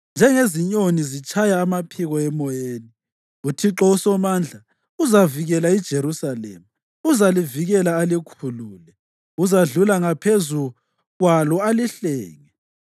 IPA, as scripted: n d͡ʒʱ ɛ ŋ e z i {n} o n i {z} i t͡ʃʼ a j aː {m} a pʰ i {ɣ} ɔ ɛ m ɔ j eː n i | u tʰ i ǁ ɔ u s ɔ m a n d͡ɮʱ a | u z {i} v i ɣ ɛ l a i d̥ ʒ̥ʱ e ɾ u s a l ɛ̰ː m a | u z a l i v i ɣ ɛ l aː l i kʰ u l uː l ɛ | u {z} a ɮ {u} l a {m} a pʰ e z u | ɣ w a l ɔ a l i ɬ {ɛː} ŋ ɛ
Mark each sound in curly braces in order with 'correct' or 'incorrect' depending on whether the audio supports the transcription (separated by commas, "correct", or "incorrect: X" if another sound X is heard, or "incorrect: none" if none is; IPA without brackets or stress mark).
incorrect: ɲ, correct, correct, correct, incorrect: a, correct, correct, incorrect: ŋ, correct